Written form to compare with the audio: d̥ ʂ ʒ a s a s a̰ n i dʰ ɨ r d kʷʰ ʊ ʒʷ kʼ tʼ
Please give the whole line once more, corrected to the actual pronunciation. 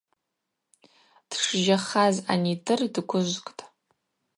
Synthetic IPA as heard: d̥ ʂ ʒ a χ a z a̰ n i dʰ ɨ r d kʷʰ ʊ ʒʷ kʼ tʼ